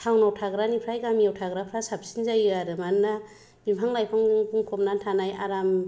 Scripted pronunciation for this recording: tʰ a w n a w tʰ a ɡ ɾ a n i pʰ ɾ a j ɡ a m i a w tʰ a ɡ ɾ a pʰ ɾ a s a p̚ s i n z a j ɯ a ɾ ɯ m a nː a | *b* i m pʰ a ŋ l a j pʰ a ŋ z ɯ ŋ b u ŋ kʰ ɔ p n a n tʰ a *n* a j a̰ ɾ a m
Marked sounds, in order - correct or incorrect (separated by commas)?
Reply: correct, correct